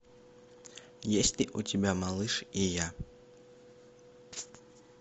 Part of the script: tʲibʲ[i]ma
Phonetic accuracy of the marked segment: incorrect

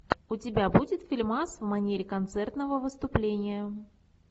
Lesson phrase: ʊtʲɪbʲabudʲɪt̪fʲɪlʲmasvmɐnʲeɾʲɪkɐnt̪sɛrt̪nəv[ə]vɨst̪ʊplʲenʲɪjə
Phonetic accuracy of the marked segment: correct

